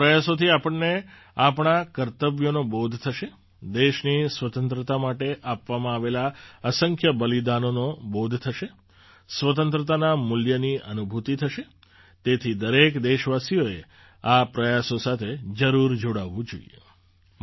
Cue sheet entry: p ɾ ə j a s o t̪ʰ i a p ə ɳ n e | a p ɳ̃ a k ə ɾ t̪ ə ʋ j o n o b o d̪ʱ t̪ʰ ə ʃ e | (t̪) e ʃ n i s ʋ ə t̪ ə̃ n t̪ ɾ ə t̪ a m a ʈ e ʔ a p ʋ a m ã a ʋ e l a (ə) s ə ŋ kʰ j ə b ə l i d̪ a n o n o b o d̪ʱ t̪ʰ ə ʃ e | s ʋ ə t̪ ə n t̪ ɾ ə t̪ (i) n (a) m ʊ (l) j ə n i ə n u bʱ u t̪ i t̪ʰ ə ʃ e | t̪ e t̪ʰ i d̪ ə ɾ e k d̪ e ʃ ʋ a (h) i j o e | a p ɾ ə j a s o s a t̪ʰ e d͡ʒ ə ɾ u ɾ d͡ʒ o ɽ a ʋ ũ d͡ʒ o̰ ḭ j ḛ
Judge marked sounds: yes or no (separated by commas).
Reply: no, yes, no, yes, yes, no